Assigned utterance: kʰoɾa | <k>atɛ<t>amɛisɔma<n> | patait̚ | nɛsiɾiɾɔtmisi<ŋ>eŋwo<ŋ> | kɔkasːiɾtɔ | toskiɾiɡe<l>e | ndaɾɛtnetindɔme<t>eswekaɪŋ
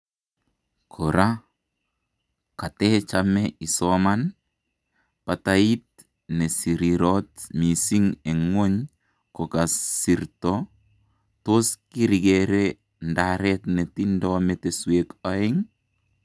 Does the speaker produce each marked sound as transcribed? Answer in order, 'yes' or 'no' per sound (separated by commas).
yes, no, yes, yes, no, no, yes